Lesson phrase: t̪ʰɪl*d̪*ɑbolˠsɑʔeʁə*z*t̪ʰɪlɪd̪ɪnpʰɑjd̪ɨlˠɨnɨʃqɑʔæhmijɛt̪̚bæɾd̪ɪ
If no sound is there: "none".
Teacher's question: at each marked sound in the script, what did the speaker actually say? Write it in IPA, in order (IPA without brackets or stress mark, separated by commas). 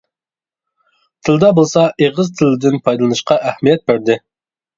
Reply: d̪, z